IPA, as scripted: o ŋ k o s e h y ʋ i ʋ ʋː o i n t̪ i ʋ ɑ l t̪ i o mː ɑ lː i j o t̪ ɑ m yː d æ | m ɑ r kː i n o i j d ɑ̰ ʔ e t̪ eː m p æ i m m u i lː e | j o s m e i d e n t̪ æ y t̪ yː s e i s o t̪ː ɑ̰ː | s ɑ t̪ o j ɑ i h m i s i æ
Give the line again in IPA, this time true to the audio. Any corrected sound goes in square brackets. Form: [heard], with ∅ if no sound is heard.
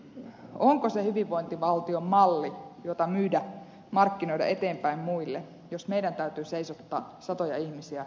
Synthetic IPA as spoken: o ŋ k o s e h y ʋ i ʋ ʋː o i n t̪ i ʋ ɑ l t̪ i o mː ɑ lː i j o t̪ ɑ m yː d æ | m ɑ r kː i n o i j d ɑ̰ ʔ e t̪ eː m p æ i m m u i lː e | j o s m e i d [æ] n t̪ æ y t̪ yː s e i s o t̪ː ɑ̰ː | s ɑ t̪ o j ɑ i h m i s i æ